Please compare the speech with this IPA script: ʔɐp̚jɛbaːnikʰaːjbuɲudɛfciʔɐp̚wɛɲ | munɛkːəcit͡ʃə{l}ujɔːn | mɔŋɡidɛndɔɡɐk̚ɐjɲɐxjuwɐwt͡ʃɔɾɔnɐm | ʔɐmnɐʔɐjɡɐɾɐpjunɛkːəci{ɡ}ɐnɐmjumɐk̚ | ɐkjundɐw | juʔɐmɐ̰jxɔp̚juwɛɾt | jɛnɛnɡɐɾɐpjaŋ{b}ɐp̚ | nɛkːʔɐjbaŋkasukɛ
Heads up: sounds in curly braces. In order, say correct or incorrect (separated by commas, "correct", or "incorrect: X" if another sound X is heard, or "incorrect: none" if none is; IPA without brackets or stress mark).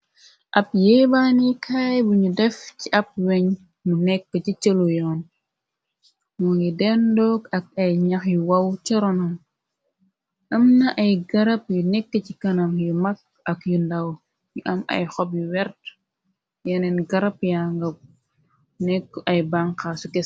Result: correct, incorrect: k, incorrect: ɡ